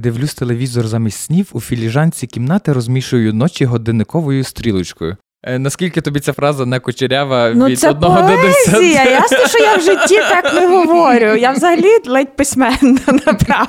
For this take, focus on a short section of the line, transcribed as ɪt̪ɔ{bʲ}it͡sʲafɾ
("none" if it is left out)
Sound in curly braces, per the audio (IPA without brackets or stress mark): bʲ